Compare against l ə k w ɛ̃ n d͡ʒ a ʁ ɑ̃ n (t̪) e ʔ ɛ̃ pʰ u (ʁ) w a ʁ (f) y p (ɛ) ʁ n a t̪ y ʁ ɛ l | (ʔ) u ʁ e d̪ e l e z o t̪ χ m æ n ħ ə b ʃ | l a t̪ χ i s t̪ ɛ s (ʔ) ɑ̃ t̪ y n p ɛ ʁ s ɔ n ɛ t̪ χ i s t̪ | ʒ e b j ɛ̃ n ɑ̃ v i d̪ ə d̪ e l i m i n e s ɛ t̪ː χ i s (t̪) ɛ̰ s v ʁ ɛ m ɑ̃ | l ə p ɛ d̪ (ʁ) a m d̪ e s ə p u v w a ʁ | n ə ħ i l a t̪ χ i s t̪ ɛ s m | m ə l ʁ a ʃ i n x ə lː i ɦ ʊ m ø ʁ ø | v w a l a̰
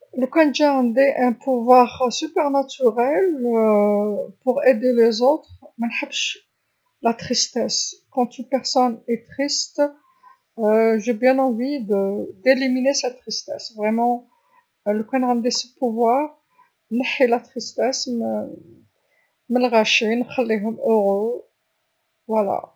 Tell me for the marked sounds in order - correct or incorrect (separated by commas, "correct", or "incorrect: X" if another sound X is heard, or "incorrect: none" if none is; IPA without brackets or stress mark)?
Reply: incorrect: d̪, incorrect: v, incorrect: s, correct, incorrect: p, incorrect: k, correct, correct